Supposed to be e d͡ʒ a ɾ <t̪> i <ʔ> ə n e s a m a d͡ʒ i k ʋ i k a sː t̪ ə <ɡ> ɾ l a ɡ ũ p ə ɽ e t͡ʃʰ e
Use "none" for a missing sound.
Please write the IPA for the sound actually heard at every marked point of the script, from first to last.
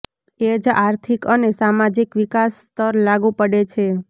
t̪ʰ, k, none

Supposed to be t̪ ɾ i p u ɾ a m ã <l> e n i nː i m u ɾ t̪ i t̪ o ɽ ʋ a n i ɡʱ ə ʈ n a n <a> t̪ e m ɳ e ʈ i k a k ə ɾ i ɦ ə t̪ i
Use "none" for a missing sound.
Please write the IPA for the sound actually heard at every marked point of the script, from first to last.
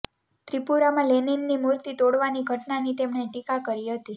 l, i

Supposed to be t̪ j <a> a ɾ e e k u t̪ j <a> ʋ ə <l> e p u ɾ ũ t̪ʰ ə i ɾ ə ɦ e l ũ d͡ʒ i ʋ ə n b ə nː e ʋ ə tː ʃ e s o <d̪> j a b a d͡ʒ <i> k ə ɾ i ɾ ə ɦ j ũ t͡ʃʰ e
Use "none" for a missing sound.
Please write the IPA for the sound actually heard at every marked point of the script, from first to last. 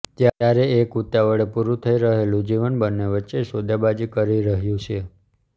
a, a, ɭ, d̪, i

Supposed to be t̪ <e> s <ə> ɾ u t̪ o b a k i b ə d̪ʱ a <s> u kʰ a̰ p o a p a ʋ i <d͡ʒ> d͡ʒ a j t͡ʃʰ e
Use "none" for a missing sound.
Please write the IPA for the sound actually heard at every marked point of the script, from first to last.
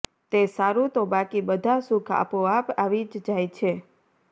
e, a, s, d͡ʒ

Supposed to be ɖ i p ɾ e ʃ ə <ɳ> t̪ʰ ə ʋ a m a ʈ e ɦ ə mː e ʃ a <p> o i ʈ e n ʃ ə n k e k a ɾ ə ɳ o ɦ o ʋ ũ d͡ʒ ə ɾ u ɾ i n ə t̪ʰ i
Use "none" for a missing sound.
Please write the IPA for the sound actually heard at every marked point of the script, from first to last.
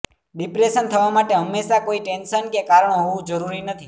n, k

